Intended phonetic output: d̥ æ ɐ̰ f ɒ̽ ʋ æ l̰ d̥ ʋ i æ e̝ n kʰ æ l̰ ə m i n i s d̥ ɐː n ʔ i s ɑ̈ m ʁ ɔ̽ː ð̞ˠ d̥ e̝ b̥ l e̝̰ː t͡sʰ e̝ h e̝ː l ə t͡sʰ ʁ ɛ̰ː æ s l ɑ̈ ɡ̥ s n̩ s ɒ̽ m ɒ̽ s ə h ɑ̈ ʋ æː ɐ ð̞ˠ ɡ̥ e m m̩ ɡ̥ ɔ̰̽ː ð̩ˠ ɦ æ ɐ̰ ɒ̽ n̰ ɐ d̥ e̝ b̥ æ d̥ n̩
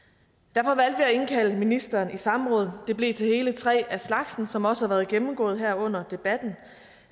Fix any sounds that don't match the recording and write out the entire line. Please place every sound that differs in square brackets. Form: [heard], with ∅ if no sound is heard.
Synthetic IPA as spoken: d̥ æ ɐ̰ f ɒ̽ ʋ æ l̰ d̥ ʋ i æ e̝ n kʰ æ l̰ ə m i n i s d̥ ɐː n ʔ i s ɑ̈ m ʁ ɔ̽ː ð̞ˠ d̥ e̝ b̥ l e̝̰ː t͡sʰ e̝ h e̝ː l ə t͡sʰ ʁ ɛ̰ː æ s l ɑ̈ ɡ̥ s n̩ s ɒ̽ m ɒ̽ s ə h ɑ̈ ʋ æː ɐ ð̞ˠ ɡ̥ e m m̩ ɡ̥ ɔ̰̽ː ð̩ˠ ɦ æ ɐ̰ [ɔ̽] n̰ ɐ d̥ e̝ b̥ æ d̥ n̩